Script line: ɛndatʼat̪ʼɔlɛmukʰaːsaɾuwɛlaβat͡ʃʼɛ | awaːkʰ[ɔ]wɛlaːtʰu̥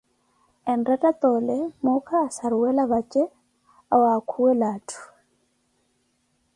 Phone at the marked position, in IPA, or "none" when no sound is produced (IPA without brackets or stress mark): u